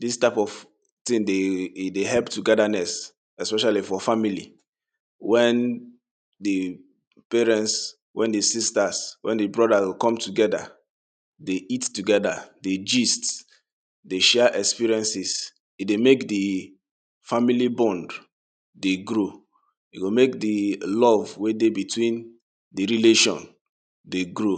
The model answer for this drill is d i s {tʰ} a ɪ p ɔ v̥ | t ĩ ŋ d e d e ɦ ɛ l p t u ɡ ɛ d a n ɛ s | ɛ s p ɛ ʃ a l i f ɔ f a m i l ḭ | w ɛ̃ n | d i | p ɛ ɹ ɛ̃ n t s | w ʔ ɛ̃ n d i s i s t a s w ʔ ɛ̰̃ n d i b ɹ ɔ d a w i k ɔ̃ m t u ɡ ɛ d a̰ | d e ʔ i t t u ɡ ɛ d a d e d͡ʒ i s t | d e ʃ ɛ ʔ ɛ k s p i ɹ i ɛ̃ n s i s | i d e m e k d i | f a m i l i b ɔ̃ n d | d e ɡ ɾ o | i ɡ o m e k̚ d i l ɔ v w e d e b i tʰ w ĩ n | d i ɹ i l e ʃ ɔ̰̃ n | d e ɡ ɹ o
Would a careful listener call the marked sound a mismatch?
yes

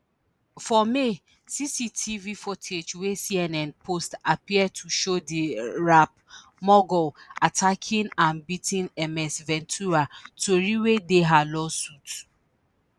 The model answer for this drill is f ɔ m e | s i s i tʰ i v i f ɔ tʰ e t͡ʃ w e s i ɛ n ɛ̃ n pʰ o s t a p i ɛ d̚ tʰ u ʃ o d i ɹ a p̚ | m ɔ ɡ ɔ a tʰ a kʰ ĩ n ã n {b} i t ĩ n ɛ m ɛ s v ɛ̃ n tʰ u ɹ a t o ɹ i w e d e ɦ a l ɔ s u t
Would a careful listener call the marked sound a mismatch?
no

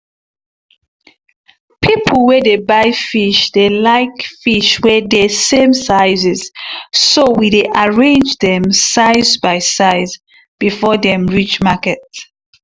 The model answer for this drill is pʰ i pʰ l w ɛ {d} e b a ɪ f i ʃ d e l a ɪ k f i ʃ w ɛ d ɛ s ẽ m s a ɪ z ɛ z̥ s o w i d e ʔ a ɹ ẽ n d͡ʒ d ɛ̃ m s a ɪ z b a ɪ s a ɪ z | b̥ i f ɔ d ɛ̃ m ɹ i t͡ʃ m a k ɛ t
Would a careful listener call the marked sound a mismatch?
no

